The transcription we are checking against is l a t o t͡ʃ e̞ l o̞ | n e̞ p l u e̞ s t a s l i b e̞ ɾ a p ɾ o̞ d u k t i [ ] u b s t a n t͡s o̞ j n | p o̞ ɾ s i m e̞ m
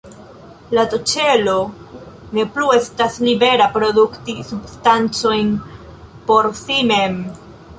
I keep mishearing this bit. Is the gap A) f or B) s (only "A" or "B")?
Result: B